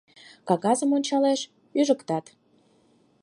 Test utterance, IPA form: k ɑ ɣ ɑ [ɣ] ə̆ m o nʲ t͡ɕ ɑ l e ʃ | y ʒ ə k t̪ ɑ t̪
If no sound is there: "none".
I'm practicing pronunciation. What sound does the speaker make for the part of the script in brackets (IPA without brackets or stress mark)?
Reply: z